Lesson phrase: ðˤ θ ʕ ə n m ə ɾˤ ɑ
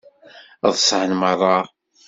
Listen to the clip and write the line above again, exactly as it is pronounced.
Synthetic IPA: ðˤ s ʕ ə n m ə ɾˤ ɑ